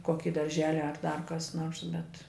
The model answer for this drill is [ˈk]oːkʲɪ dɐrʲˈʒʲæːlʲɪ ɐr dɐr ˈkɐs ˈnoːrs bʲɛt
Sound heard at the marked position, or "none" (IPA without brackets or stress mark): k